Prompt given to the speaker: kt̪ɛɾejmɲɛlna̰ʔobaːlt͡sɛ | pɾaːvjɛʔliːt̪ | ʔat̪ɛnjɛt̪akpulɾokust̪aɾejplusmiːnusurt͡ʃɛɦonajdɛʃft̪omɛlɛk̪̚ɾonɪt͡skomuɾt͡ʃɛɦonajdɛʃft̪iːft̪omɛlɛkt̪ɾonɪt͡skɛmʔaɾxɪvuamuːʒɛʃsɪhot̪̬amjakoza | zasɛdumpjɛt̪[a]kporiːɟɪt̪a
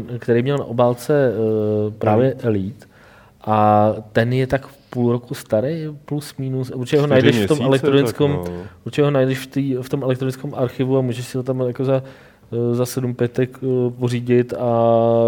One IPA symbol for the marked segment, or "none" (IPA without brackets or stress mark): ɛ